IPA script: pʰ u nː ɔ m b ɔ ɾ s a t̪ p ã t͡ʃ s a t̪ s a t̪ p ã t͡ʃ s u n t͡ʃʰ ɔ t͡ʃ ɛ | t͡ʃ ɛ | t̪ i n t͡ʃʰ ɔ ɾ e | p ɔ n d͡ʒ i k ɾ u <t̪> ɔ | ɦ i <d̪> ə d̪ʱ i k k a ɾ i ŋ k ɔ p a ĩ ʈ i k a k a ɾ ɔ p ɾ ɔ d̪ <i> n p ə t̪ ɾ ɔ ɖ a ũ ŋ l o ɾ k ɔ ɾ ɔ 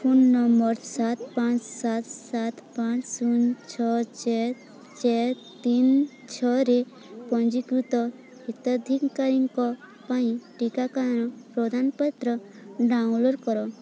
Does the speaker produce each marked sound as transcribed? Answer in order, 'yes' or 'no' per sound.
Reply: yes, no, no

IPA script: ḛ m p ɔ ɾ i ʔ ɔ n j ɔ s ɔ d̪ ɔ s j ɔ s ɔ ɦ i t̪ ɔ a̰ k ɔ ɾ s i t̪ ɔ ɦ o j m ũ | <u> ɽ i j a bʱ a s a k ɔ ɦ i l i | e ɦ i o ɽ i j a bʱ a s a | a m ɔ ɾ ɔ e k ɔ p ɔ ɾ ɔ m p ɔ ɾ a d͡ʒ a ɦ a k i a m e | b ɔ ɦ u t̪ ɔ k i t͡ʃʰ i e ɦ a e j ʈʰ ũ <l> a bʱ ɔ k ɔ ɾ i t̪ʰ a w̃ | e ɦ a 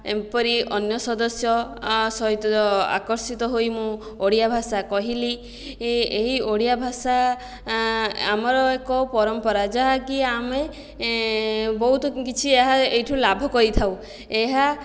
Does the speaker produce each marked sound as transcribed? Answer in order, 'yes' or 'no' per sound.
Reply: no, yes

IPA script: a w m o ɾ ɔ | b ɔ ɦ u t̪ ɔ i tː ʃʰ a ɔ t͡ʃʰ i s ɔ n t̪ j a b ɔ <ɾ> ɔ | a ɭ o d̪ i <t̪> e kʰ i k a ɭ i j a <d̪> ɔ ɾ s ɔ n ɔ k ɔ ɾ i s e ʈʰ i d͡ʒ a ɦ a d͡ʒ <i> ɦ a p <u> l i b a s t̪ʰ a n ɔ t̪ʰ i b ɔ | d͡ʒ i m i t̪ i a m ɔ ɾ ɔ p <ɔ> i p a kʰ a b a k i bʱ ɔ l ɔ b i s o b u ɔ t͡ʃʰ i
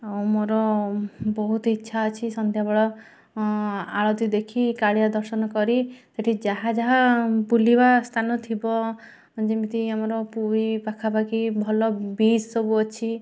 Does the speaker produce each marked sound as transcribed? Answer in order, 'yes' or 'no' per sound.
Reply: no, no, yes, no, yes, no

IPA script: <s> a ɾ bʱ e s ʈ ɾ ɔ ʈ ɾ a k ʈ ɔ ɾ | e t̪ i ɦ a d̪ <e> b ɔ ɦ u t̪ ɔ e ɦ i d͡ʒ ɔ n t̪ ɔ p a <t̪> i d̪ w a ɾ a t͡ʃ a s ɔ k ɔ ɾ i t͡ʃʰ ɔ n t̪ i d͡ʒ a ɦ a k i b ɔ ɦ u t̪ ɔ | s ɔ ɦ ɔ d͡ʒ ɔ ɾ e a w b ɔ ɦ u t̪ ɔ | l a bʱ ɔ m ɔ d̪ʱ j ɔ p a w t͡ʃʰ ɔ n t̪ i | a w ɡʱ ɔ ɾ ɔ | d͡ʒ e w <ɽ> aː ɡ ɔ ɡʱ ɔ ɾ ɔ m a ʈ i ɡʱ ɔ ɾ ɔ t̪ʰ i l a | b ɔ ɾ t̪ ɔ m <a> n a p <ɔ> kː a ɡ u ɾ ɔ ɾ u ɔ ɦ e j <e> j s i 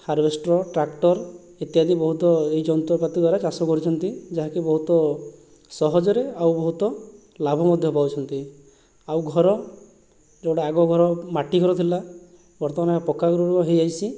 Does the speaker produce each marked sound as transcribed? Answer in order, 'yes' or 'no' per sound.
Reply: no, no, yes, yes, yes, yes, no

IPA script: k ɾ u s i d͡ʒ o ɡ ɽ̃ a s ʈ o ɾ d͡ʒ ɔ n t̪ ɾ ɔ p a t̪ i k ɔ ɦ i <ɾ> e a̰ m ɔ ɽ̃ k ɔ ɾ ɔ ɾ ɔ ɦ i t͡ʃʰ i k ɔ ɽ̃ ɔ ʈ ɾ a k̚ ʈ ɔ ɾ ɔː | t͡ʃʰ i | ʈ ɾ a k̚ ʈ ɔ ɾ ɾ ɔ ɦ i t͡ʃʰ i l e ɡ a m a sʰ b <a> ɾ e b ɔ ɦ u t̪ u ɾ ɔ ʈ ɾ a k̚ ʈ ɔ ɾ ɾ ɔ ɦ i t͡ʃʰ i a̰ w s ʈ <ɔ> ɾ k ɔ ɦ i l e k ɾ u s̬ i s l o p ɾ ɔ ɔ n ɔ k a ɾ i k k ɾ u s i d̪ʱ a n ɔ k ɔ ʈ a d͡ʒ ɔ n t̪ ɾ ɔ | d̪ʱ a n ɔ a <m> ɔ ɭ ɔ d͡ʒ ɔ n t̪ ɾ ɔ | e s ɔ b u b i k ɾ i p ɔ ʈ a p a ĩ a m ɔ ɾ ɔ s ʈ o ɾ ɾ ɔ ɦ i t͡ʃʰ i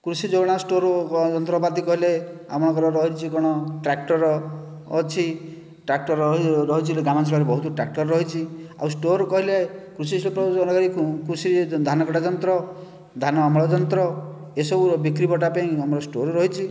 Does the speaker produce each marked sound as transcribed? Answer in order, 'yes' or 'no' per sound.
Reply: no, yes, no, yes

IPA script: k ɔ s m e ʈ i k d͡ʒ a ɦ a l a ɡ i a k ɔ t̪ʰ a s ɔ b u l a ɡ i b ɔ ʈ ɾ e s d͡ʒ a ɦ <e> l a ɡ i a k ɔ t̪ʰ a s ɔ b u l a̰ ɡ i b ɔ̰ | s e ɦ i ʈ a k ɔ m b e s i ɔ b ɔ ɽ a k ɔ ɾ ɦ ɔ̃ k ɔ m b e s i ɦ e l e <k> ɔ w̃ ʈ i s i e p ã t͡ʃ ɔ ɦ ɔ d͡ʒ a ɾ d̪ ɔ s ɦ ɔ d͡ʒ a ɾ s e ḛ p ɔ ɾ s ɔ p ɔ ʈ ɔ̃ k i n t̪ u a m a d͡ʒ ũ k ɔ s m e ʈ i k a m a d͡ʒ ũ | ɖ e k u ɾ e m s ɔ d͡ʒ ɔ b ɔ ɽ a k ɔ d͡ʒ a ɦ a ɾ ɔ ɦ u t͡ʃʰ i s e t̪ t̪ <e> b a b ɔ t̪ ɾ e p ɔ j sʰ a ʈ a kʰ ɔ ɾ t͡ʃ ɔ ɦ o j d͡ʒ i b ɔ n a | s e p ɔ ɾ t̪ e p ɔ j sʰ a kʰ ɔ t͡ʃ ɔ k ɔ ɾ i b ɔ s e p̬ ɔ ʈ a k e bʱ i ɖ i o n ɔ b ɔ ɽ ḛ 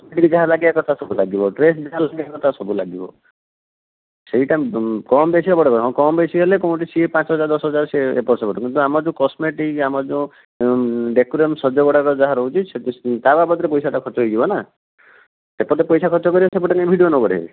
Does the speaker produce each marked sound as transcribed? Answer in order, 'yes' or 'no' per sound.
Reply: no, yes, no

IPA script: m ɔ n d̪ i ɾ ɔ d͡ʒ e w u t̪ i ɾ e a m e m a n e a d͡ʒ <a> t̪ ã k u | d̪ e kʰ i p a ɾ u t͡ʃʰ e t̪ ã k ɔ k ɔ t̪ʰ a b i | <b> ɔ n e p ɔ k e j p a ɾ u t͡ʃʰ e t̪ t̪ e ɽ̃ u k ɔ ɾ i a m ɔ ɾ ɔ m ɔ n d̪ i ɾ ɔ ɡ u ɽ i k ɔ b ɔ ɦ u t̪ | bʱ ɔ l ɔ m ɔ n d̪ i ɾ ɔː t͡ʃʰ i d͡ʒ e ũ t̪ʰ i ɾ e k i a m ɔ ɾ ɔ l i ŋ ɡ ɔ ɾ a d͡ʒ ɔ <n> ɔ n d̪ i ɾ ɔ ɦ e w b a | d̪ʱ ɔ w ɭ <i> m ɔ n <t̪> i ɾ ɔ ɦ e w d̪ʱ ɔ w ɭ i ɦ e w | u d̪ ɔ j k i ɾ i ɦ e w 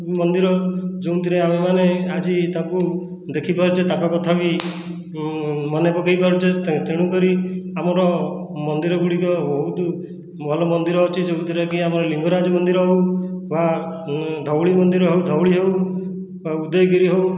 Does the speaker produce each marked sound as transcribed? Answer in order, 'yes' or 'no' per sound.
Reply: no, no, no, yes, no

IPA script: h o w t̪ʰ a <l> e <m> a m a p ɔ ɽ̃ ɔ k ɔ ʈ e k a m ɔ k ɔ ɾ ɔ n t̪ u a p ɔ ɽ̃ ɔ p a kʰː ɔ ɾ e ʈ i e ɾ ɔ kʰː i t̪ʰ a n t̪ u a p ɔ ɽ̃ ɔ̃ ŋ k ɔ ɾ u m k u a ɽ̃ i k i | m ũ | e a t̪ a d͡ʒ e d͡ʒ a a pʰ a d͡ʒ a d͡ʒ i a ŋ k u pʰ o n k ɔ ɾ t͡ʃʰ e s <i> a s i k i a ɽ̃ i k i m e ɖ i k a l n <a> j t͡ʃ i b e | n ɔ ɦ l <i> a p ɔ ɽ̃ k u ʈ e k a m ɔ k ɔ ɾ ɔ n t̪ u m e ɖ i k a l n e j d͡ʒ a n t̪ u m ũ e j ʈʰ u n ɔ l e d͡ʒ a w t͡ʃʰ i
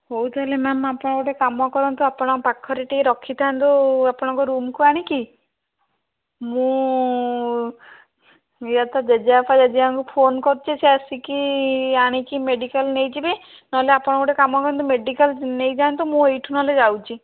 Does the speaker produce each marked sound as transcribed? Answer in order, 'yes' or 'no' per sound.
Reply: yes, yes, no, no, no

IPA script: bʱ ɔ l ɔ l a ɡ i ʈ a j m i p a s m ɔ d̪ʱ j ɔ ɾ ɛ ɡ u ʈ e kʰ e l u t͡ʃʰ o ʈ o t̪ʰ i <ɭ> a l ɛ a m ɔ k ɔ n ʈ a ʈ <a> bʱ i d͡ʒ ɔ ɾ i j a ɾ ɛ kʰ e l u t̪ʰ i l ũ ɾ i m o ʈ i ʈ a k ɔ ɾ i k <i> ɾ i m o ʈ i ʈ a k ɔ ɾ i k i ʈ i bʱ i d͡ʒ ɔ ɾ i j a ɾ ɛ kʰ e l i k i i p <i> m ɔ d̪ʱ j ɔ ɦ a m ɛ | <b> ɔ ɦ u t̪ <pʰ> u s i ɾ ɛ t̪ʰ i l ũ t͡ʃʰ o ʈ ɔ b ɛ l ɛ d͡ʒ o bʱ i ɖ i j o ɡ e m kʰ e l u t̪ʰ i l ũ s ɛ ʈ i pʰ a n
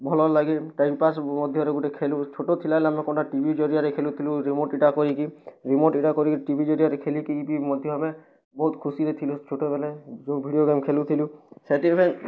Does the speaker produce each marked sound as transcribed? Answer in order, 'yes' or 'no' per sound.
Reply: no, no, yes, yes, yes, no

